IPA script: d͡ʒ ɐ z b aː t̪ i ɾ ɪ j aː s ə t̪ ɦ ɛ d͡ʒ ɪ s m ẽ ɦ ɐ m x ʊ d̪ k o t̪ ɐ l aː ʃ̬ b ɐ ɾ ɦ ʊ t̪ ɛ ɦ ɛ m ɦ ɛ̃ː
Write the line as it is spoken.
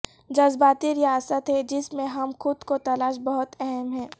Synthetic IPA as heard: d͡ʒ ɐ z b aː t̪ i ɾ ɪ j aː s ə t̪ ɦ ɛ d͡ʒ ɪ s m ẽ ɦ ɐ m x ʊ d̪ k o t̪ ɐ l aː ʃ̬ b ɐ ɦ ʊ t̪ ɛ ɦ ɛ m ɦ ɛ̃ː

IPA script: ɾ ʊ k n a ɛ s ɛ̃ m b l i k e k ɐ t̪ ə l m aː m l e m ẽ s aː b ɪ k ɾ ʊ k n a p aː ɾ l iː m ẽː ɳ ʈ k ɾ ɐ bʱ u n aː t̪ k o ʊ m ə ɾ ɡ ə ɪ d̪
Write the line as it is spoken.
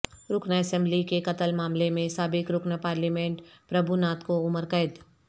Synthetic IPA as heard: ɾ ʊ k n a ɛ s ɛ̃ m b l i k e k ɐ t̪ ə l m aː m l e m ẽ s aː b ɪ k ɾ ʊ k n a p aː ɾ l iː m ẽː ɳ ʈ p ɾ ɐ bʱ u n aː t̪ k o ʊ m ə ɾ k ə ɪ d̪

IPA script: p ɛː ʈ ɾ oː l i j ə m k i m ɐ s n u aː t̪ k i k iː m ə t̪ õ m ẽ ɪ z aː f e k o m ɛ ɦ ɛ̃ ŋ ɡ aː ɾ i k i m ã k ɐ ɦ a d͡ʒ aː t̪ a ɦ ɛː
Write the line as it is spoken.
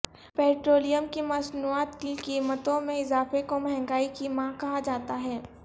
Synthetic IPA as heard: p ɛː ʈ ɾ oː l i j ə m k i m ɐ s n u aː t̪ k i k iː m ə t̪ õ m ẽ ɪ z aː f e k o m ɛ ɦ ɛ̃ ŋ ɡ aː i k i m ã k ɐ ɦ a d͡ʒ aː t̪ a ɦ ɛː

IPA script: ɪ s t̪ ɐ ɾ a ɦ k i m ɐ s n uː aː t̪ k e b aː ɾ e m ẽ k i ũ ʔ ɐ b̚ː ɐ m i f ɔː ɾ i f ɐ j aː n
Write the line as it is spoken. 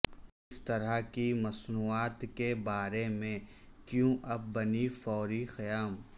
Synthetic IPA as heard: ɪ s t̪ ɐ ɾ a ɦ k i m ɐ s n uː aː t̪ k e b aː ɾ e m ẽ k j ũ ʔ ɐ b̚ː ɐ n i f ɔː ɾ i x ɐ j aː m

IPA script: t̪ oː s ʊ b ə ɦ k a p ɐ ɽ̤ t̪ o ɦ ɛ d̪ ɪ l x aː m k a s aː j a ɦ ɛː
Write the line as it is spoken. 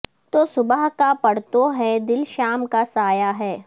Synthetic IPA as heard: t̪ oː s ʊ b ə ɦ k a p ɐ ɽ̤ t̪ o ɦ ɛ d̪ ɪ l ʃ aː m k a s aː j a ɦ ɛː

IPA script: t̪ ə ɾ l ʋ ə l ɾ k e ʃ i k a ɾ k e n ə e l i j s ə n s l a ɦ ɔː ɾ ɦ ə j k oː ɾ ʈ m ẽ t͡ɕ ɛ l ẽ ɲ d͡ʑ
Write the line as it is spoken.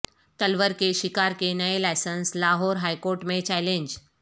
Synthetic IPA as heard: t̪ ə l ʋ ə ɾ k e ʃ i k a ɾ k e n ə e l a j s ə n s l a ɦ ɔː ɾ ɦ a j k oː ɾ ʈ m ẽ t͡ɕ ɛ l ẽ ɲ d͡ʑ

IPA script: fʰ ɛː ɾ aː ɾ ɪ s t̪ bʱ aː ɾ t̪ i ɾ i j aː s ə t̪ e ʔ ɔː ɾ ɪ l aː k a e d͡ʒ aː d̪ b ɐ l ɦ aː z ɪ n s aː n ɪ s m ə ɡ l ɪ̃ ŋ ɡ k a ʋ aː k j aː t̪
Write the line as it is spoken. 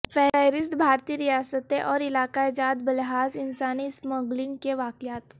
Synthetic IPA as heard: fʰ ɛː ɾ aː ɾ ɪ s t̪ bʱ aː ɾ t̪ i ɾ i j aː s ə t̪ e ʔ ɔː ɾ ɪ l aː k a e d͡ʒ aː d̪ b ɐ l ɦ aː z ɪ n s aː n i s m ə ɡ l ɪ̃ ŋ ɡ k e ʋ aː k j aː t̪

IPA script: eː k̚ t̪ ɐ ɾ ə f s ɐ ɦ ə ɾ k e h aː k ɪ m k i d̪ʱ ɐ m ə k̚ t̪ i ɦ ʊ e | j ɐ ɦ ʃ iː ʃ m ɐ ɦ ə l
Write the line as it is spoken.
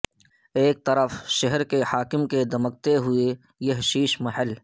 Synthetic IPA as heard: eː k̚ t̪ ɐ ɾ ə f ʃ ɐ ɦ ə ɾ k e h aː k ɪ m k e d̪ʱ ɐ m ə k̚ t̪ e ɦ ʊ e | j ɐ ɦ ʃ iː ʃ m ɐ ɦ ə l

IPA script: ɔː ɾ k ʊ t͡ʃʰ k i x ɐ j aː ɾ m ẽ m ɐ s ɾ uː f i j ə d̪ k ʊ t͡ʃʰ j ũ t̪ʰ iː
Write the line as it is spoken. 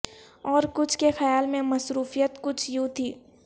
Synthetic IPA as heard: ɔː ɾ k ʊ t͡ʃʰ k e x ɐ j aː l m ẽ m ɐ s ɾ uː f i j ə t̪ k ʊ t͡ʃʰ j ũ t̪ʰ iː

